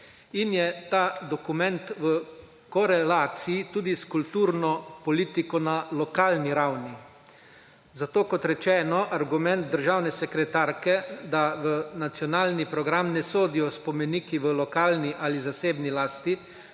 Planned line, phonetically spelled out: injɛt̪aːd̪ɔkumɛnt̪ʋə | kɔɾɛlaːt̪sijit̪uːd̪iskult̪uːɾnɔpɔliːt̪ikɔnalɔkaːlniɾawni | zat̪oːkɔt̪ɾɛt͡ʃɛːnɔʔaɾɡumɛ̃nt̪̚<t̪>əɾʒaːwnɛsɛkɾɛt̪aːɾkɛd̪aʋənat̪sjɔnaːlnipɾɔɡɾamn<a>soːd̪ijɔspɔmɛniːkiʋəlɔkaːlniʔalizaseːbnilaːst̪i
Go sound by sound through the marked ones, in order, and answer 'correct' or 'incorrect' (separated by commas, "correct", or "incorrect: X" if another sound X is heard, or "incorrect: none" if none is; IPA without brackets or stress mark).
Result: incorrect: d̪, incorrect: ɛ